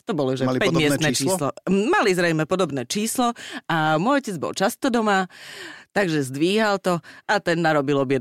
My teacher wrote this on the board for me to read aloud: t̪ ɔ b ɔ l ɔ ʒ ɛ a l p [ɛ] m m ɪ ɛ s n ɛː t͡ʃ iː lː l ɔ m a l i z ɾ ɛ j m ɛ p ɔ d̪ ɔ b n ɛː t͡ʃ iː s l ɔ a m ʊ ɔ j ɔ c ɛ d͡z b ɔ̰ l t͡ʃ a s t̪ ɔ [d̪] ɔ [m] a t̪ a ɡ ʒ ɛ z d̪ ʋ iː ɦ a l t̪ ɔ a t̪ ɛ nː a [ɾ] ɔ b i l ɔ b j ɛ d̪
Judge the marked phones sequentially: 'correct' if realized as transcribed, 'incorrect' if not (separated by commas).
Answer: correct, correct, correct, correct